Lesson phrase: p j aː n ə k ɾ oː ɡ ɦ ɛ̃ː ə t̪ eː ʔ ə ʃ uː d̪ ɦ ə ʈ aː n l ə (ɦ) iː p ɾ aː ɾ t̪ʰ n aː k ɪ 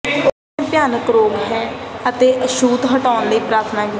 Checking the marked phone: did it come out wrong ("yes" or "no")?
yes